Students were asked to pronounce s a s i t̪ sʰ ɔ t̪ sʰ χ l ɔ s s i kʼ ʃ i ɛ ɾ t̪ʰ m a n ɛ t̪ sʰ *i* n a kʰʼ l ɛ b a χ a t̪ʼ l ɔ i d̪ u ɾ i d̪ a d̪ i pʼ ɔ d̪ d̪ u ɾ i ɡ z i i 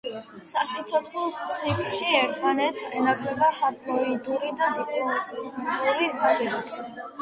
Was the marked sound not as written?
yes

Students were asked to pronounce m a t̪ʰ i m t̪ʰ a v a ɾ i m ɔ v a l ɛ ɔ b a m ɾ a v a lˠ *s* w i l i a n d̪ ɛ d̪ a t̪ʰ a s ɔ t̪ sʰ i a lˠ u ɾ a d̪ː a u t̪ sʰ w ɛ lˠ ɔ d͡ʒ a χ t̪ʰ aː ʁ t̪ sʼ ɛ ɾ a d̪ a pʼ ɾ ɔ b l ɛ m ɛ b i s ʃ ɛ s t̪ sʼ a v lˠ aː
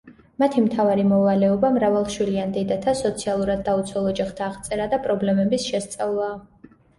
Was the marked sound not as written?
yes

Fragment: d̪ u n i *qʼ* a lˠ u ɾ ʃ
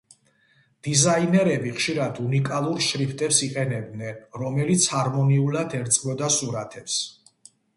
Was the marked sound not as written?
yes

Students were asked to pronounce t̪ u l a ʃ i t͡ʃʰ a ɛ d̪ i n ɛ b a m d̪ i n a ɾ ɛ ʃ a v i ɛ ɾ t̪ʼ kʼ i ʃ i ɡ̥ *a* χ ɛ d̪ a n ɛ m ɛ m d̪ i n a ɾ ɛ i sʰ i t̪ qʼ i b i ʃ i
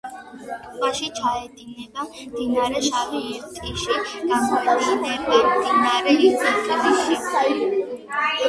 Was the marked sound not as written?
no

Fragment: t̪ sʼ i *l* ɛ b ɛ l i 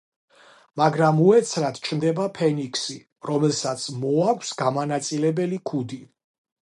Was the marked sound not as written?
no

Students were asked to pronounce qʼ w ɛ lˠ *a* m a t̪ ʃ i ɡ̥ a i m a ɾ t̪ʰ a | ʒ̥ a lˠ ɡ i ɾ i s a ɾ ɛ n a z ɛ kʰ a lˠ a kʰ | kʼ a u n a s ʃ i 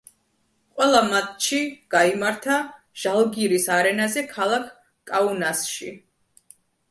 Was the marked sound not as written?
no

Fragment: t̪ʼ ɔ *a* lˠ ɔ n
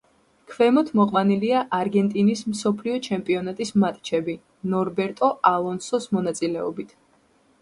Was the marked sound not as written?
no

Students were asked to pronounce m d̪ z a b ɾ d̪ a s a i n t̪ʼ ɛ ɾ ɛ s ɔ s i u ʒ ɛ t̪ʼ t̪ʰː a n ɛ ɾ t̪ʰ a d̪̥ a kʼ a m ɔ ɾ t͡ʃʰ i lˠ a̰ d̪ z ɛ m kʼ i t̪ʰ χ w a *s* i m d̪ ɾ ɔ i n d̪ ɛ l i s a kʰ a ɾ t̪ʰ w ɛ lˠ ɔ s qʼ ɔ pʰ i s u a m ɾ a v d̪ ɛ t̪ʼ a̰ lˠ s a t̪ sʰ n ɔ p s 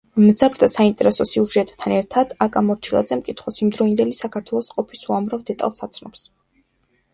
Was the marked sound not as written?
no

